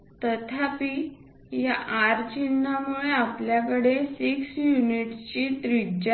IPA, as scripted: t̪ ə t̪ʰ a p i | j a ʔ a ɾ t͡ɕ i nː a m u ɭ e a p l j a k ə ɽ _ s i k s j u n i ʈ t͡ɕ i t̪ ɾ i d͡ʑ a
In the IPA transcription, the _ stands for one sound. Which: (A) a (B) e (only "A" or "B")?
B